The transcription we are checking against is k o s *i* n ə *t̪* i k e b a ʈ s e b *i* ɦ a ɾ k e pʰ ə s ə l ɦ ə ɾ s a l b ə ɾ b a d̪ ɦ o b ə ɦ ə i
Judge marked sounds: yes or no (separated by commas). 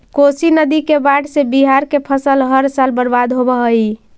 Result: yes, no, yes